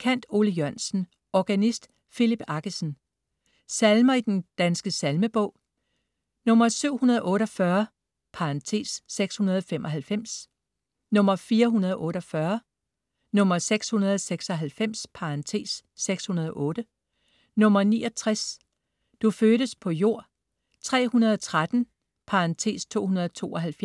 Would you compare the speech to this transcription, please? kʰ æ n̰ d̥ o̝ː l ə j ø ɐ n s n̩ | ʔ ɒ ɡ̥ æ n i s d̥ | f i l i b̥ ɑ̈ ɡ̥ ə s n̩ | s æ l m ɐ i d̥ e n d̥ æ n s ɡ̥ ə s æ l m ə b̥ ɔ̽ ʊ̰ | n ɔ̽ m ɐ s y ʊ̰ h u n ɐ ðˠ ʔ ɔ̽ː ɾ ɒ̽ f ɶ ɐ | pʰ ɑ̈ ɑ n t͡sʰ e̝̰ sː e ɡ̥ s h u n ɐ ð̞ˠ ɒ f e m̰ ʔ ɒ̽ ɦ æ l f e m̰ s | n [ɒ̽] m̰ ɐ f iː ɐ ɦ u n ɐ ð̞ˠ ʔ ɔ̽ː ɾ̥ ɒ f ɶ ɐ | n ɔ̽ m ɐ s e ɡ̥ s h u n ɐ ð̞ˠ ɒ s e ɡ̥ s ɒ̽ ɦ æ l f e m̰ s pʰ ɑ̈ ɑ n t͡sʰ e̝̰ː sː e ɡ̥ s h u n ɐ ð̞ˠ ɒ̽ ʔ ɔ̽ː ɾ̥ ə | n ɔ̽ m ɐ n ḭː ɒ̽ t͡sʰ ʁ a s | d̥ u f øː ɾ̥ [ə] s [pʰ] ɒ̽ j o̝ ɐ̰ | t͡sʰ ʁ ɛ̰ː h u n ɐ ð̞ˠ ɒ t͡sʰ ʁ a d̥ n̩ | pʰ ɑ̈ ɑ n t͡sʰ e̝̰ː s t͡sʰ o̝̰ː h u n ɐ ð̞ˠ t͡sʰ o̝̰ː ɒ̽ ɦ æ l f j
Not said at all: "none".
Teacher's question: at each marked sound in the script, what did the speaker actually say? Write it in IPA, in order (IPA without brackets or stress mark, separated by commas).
ɔ̽, ə, pʰ